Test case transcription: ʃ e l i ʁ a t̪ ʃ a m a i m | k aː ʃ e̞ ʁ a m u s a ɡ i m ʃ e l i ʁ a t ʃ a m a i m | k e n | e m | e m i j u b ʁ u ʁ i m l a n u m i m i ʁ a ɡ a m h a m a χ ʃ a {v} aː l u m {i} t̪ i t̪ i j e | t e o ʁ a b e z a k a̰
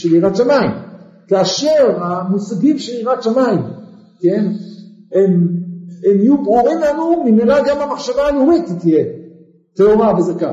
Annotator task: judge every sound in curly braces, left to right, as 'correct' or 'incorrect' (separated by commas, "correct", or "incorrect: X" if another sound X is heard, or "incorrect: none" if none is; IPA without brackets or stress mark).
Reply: correct, correct